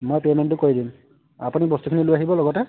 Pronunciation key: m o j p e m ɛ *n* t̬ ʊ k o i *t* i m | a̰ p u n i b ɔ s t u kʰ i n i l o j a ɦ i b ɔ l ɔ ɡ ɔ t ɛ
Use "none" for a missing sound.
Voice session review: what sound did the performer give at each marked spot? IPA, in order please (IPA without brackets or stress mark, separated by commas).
n, d